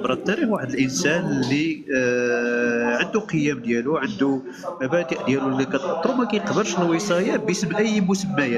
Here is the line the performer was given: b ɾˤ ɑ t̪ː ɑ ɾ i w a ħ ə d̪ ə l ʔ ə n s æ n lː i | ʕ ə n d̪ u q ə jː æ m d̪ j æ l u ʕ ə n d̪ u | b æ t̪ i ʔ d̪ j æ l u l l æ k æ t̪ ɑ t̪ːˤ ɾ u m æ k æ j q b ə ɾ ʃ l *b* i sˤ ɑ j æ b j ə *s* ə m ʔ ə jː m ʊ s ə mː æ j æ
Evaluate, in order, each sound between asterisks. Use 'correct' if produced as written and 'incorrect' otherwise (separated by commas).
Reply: incorrect, correct